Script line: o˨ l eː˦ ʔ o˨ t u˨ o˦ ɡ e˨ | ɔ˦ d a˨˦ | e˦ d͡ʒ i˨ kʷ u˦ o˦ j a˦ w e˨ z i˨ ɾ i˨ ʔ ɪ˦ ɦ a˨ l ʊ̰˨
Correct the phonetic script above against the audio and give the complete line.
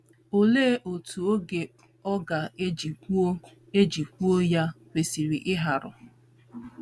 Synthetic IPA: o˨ l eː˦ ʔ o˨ t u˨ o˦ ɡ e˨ | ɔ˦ ɡ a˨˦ | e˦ d͡ʒ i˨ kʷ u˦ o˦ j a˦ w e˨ s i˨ ɾ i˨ ʔ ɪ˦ ɦ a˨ ɾ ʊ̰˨

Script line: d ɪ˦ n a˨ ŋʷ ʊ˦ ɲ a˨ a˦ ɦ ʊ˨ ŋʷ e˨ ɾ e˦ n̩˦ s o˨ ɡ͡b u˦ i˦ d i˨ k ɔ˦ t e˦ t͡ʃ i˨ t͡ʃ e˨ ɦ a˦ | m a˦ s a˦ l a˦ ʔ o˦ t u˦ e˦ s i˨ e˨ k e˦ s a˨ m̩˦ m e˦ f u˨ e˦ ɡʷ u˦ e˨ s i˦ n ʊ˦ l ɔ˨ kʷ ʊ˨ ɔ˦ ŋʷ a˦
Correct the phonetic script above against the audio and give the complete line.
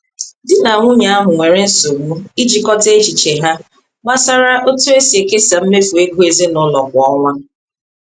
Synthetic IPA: d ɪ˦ n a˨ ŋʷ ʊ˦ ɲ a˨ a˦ ɦ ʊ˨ ŋʷ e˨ ɾ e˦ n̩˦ s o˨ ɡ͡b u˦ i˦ d͡ʒ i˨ k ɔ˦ t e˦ t͡ʃ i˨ t͡ʃ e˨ ɦ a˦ | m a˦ s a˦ ɾ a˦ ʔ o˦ t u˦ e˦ s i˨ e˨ k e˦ s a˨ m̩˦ m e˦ f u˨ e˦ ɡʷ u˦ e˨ z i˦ n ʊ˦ l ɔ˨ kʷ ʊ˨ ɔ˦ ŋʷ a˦

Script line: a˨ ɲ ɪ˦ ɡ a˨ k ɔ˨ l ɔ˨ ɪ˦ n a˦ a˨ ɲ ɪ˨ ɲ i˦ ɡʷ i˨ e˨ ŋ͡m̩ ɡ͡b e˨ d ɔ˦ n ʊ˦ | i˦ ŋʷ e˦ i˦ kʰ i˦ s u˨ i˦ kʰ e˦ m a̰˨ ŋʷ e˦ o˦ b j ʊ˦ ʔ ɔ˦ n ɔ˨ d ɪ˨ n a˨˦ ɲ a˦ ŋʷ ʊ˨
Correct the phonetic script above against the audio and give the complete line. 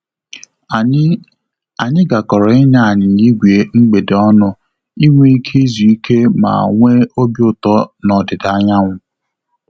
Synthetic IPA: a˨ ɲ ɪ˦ ɡ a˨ k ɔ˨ ɾ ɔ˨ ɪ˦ n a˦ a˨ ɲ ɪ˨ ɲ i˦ ɡʷ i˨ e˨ ŋ͡m̩ ɡ͡b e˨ d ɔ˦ n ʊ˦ | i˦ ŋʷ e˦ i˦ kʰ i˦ z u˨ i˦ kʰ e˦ m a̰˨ ŋʷ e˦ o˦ b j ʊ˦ t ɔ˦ n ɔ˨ d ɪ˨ d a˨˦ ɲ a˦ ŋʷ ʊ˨

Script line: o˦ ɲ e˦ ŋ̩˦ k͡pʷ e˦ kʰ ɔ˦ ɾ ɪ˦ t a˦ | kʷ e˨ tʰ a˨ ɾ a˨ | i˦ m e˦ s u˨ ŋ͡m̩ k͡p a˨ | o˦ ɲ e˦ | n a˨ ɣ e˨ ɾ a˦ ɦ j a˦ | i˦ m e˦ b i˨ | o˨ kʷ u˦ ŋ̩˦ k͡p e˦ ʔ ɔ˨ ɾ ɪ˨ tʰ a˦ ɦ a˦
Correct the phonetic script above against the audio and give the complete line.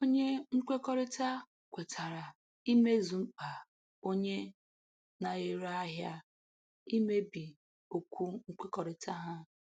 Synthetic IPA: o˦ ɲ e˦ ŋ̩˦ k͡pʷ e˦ k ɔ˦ ɾ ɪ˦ t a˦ | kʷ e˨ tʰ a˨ ɾ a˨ | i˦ m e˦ z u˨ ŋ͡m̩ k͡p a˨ | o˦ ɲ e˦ | n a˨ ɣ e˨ ɾ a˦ ɦ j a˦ | i˦ m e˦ b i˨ | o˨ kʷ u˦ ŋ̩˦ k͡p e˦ k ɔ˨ ɾ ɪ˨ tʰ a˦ ɦ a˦

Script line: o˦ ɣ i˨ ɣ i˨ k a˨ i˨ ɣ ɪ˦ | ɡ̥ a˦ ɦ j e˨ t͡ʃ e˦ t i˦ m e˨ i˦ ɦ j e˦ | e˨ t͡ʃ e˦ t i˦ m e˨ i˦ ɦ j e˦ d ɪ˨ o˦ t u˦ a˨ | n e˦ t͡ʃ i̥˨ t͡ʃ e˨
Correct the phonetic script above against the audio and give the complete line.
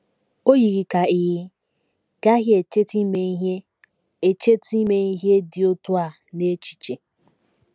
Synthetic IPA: o˦ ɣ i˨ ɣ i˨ k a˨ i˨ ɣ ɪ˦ | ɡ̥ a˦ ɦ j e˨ t͡ʃ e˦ t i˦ m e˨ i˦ ɦ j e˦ | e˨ t͡ʃ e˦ t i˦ m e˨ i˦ ɦ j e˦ d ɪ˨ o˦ t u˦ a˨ | n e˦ t͡ʃ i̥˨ t͡ʃ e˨

